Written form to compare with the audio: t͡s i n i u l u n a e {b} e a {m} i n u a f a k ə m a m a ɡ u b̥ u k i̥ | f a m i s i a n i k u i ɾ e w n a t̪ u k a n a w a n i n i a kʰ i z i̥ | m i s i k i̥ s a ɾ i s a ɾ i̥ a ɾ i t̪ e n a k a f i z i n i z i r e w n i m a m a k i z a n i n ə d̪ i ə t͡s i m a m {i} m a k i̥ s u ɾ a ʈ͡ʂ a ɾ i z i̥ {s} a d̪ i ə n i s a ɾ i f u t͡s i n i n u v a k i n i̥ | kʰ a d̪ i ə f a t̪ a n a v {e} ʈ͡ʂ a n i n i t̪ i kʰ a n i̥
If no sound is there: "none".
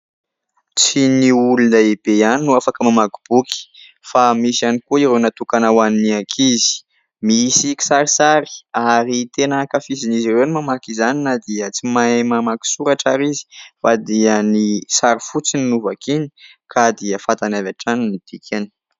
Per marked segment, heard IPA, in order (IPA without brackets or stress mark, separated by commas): b, n, a, f, a